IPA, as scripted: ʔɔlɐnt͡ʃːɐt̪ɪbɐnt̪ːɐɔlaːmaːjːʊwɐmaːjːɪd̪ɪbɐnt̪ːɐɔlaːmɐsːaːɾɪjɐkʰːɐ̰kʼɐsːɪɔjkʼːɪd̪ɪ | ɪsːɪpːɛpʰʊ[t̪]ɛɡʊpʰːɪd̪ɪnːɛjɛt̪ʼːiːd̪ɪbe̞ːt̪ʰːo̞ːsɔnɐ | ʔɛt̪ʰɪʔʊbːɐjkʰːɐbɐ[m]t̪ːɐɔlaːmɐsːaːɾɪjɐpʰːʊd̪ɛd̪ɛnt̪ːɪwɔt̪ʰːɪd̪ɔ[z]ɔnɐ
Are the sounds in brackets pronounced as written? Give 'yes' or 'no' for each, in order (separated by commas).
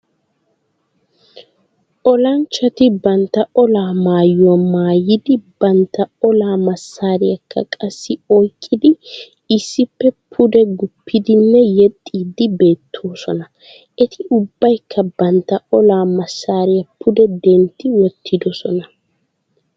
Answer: no, no, no